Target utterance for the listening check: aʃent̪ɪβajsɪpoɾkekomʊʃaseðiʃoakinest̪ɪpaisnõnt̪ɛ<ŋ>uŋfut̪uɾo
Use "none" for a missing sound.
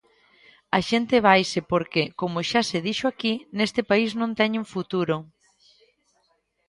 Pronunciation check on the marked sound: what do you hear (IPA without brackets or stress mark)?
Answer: ɲ